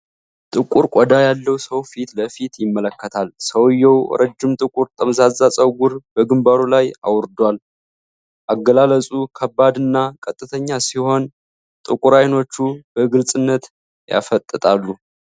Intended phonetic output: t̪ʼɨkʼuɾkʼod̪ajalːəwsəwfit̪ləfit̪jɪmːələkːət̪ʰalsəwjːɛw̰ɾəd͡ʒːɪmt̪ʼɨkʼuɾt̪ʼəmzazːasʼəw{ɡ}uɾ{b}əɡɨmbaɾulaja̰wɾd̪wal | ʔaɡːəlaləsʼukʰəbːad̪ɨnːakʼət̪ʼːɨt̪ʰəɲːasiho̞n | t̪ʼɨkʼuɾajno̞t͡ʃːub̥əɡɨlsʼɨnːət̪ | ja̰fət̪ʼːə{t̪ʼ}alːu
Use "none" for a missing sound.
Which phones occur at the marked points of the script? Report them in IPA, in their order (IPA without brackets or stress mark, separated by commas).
ɡ, b, t̪ʼ